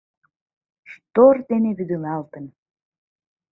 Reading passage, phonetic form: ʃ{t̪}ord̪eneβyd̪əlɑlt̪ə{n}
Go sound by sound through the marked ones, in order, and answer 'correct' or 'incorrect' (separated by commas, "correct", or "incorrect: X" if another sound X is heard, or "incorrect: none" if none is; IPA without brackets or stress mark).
correct, correct